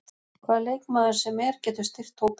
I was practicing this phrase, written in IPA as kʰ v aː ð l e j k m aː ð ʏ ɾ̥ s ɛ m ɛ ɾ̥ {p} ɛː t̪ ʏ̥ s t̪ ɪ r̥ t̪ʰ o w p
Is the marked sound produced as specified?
no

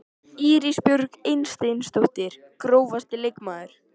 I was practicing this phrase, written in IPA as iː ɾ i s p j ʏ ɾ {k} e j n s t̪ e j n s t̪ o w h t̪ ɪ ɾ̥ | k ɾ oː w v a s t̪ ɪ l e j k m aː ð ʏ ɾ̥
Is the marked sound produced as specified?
yes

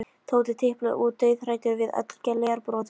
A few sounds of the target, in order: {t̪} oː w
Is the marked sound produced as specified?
no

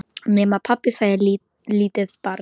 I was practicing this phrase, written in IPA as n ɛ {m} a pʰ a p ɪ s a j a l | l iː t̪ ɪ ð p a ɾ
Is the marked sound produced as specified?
yes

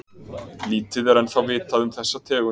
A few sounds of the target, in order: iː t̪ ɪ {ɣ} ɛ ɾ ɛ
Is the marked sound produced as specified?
no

